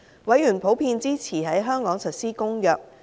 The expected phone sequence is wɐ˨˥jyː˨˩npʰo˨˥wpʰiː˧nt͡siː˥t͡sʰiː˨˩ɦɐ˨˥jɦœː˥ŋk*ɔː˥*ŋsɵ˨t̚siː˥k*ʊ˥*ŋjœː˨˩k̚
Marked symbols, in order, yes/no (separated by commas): no, yes